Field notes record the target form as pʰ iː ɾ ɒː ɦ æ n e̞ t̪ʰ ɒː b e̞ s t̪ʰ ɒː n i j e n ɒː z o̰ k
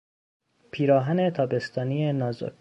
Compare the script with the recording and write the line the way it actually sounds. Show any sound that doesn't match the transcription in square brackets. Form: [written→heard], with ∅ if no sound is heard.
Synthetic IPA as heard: pʰ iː ɾ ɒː ɦ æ n e̞ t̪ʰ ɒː b e̞ s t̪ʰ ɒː n i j e n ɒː z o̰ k

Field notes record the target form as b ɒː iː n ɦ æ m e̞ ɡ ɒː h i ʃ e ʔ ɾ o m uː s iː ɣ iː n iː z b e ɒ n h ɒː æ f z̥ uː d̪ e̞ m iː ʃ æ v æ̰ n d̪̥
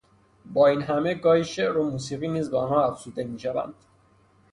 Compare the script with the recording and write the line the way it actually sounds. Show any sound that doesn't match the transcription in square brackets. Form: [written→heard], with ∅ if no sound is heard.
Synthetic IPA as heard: b ɒː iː n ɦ æ m e̞ ɡ ɒː h i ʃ e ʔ ɾ o m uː s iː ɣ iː n iː z b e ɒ n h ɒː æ f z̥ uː d̪ e̞ m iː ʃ æ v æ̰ n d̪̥

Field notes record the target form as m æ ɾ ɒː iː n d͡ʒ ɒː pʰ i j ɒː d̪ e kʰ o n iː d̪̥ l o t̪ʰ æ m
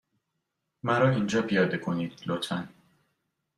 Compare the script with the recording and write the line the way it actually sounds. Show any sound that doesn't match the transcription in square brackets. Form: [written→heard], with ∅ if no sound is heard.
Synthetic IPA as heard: m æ ɾ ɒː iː n d͡ʒ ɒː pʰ i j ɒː d̪ e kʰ o n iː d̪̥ l o t̪ʰ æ [m→n]

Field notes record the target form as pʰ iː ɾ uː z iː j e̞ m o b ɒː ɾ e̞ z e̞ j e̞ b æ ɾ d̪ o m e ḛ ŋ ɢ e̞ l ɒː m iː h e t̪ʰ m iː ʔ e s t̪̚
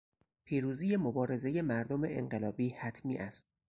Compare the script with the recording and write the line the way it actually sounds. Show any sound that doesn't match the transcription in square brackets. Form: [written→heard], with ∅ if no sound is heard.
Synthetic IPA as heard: pʰ iː ɾ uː z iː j e̞ m o b ɒː ɾ e̞ z e̞ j e̞ [b→m] æ ɾ d̪ o m e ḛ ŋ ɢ e̞ l ɒː [m→b] iː h [e→æ] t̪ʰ m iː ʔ [e→æ] s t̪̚

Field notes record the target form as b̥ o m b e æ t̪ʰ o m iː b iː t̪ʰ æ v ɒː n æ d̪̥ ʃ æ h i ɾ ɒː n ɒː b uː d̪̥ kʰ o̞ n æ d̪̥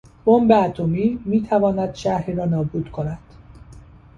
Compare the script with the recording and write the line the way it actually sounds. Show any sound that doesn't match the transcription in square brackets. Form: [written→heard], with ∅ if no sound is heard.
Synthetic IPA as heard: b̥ o m b e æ t̪ʰ o m iː [b→m] iː t̪ʰ æ v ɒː n æ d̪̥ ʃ æ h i ɾ ɒː n ɒː b uː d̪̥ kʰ o̞ n æ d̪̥

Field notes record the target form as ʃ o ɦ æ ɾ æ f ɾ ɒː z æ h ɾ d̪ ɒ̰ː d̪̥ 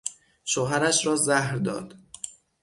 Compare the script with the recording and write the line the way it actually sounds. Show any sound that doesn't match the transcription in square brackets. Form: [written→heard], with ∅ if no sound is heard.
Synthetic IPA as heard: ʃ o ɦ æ ɾ æ [f→ʃ] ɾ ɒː z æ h ɾ d̪ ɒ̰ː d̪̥

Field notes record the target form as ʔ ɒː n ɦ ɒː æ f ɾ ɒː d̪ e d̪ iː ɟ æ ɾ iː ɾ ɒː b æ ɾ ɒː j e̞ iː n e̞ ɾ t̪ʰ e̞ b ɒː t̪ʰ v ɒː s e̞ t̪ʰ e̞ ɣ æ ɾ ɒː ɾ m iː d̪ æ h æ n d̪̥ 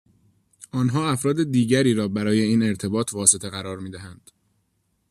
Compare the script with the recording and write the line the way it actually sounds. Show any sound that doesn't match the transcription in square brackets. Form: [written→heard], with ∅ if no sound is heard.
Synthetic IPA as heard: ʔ ɒː n ɦ ɒː æ f ɾ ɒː d̪ e d̪ iː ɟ æ ɾ iː ɾ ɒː b æ ɾ ɒː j e̞ iː n e̞ ɾ t̪ʰ e̞ b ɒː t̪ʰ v ɒː s e̞ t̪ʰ e̞ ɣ æ ɾ ɒː ɾ m iː d̪ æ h æ n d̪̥

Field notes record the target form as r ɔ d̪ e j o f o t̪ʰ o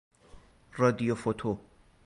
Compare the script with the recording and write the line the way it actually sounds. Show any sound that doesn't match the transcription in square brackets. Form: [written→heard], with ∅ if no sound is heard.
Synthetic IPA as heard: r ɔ d̪ [e→i] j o f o t̪ʰ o

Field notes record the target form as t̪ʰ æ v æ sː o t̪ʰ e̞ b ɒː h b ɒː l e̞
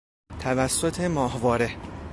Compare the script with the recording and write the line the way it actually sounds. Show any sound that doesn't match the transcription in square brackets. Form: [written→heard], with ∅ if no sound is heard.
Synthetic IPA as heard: t̪ʰ æ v æ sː o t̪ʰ e̞ [b→m] ɒː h [b→v] ɒː [l→ɾ] e̞

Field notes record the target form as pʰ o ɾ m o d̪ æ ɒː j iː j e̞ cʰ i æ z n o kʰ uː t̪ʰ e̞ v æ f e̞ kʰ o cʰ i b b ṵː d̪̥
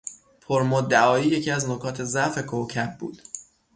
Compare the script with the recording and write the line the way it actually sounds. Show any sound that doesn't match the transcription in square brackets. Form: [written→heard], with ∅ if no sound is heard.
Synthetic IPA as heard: pʰ o ɾ m o d̪ æ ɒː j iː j e̞ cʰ i æ z n o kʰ [uː→ɒː] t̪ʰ e̞ [v→z] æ f e̞ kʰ o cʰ [i→æ] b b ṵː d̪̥

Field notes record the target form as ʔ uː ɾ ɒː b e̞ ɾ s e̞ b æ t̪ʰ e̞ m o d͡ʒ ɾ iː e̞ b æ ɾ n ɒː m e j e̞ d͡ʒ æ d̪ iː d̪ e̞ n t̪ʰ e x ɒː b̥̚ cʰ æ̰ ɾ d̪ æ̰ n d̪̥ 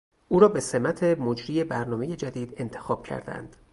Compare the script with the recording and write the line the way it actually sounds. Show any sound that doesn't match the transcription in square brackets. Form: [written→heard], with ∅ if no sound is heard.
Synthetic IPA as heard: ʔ uː ɾ ɒː b e̞ [ɾ→∅] s e̞ [b→m] æ t̪ʰ e̞ m o d͡ʒ ɾ iː e̞ b æ ɾ n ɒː m e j e̞ d͡ʒ æ d̪ iː d̪ e̞ n t̪ʰ e x ɒː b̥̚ cʰ æ̰ ɾ d̪ æ̰ n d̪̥

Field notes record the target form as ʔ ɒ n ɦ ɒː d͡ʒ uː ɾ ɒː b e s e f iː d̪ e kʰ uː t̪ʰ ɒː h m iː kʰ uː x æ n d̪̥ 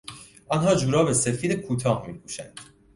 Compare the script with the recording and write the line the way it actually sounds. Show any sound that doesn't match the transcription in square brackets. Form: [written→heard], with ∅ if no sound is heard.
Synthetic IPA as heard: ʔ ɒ n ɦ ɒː d͡ʒ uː ɾ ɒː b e s e f iː d̪ e kʰ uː t̪ʰ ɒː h m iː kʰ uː [x→ʃ] æ n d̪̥

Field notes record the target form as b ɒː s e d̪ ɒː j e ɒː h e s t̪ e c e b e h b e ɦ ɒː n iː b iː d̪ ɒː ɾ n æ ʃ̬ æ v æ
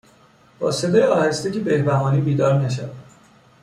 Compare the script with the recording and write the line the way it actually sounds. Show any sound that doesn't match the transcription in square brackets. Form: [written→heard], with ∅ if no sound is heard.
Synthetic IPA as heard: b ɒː s e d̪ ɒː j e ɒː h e s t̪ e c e b e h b [e→æ] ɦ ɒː n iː b iː d̪ ɒː ɾ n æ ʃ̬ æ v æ

